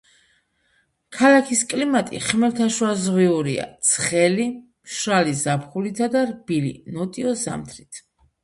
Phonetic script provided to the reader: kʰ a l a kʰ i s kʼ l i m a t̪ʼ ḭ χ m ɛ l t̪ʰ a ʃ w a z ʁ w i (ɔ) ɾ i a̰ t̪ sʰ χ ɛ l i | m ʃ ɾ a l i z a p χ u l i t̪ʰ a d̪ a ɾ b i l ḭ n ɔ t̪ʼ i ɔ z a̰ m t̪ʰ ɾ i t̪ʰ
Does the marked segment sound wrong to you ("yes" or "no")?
yes